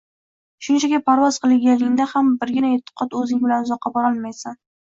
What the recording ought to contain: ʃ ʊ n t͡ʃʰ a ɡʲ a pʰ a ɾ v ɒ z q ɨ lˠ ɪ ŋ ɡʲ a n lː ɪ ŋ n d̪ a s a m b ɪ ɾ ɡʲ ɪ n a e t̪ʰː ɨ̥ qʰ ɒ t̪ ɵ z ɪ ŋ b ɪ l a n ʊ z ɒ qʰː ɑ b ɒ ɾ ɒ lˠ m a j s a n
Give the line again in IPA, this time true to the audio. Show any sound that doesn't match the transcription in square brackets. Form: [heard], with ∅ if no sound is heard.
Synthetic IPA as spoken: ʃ ʊ n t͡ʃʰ a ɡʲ a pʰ a ɾ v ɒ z q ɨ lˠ ɪ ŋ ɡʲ a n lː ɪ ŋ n d̪ a [h] a m b ɪ ɾ ɡʲ ɪ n a e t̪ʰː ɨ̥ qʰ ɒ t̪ ɵ z ɪ ŋ b ɪ l a n ʊ z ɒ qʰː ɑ b ɒ ɾ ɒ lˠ m a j s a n